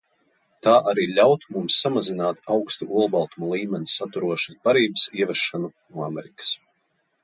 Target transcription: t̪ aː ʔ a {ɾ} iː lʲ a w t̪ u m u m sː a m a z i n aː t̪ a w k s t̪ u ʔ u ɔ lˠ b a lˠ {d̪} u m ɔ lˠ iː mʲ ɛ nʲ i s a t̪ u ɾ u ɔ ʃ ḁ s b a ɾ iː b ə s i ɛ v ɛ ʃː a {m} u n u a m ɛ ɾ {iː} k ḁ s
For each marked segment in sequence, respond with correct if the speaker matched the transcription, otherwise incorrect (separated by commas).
correct, incorrect, incorrect, incorrect